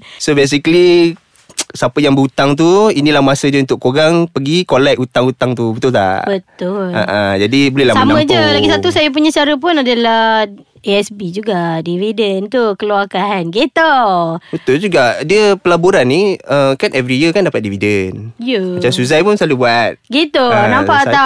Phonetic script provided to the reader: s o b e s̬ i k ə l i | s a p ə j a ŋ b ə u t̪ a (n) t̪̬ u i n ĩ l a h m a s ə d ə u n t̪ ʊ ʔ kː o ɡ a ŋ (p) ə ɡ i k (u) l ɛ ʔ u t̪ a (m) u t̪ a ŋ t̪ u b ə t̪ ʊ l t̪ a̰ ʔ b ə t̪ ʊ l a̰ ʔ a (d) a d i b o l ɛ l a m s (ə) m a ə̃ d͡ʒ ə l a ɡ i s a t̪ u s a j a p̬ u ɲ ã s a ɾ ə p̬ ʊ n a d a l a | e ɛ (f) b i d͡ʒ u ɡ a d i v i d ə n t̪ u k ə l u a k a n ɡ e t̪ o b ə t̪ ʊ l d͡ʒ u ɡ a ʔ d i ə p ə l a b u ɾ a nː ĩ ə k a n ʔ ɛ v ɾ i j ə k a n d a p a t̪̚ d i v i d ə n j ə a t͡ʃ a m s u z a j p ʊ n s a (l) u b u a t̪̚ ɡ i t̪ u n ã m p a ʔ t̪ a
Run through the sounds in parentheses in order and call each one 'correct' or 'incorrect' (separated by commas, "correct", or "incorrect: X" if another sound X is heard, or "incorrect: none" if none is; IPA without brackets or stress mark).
incorrect: ŋ, correct, incorrect: o, incorrect: ŋ, incorrect: d͡ʒ, incorrect: a, incorrect: s, correct